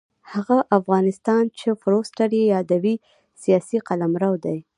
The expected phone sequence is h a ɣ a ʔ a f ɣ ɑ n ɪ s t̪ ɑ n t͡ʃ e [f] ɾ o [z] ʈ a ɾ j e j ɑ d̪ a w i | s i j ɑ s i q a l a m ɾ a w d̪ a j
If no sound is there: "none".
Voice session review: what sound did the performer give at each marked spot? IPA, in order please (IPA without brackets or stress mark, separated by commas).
f, s